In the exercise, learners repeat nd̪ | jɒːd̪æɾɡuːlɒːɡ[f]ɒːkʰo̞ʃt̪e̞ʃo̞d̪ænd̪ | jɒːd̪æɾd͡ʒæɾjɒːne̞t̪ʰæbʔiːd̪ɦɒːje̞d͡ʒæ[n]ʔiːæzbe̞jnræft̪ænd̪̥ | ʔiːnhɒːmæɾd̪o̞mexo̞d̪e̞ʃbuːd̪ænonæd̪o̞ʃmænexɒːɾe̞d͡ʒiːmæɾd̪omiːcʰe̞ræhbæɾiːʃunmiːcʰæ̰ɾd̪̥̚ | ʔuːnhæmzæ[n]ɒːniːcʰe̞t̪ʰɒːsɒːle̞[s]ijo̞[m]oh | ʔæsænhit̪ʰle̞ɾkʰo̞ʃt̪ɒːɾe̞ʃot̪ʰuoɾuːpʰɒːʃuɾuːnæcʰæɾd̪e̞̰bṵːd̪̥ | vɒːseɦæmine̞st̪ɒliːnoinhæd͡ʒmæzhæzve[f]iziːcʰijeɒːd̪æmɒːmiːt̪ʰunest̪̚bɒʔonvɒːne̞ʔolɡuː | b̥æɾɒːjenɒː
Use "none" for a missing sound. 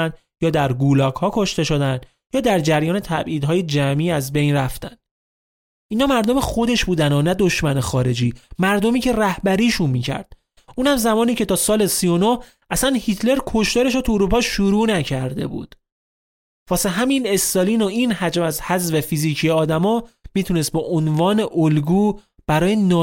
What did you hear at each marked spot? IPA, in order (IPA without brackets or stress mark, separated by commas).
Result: h, m, m, s, n, f